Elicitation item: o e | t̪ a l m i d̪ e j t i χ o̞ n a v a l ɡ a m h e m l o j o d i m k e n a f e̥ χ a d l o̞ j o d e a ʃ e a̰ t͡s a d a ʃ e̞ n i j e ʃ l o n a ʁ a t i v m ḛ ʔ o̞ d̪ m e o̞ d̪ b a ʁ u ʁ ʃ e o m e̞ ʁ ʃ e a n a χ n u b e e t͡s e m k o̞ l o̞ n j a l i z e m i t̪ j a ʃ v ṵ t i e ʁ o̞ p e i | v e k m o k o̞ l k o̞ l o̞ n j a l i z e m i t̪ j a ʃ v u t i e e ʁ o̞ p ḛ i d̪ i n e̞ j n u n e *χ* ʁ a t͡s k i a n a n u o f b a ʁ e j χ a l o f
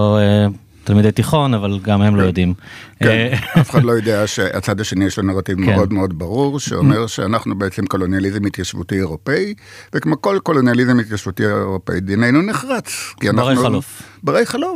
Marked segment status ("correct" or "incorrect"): correct